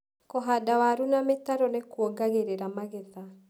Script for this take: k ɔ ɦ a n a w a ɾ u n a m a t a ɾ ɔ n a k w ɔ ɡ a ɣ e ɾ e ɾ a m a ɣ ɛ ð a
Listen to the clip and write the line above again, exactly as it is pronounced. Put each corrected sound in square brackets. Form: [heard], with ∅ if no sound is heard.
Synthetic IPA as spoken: k ɔ ɦ a [d] a w a ɾ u n a m [e] t a ɾ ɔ n [e] k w ɔ ɡ a ɣ e ɾ e ɾ a m a ɣ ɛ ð a